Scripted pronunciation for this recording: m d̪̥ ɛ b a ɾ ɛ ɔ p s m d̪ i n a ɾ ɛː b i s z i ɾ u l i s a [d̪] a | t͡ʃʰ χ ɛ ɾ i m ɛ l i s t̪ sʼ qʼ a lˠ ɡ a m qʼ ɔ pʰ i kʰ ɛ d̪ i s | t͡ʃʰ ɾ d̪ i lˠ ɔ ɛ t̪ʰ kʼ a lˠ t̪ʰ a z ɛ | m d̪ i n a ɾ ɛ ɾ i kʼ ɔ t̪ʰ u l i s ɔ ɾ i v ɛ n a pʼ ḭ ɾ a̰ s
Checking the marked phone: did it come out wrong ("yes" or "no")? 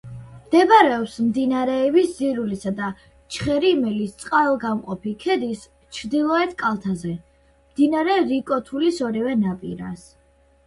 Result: no